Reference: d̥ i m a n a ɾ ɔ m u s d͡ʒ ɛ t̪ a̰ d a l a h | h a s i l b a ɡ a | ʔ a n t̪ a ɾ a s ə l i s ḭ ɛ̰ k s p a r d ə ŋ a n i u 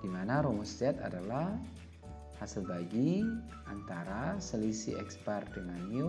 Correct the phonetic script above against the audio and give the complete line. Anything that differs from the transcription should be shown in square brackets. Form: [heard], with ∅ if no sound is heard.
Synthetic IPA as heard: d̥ i m a n a ɾ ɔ m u s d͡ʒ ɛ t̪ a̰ d a l a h | h a s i l b a ɡ [i] | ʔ a n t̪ a ɾ a s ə l i s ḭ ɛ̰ k s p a r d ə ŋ a n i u